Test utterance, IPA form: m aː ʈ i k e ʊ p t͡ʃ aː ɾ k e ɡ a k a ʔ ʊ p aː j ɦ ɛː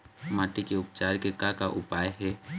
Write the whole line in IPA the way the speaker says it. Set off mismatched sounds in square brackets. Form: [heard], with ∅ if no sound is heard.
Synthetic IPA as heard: m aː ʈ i k e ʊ p t͡ʃ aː ɾ k e [k] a k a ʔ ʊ p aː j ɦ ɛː

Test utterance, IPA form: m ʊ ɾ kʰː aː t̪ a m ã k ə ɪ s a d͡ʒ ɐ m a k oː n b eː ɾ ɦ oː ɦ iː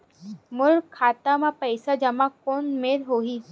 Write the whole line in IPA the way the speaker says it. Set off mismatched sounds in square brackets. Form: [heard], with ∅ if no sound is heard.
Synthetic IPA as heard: m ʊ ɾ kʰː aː t̪ a m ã [p] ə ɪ s a d͡ʒ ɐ m a k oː n [m] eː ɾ ɦ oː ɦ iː

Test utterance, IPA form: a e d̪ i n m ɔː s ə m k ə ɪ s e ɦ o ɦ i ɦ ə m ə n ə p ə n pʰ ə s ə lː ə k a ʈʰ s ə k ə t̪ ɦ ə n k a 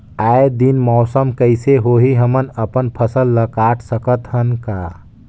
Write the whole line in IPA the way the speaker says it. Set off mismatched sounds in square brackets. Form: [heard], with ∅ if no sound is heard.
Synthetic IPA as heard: a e d̪ i n m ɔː s ə m k ə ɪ s e ɦ o ɦ i ɦ ə m ə n ə p ə n pʰ ə s ə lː ə k a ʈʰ s ə k ə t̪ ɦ ə n k a

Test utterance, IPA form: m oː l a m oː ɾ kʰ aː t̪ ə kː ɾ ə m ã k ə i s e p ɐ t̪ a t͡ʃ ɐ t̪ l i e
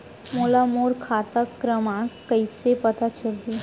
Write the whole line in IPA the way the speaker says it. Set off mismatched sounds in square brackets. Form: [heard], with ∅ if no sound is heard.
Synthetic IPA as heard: m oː l a m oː ɾ kʰ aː t̪ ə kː ɾ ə m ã k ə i s e p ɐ t̪ a t͡ʃ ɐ [∅] l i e

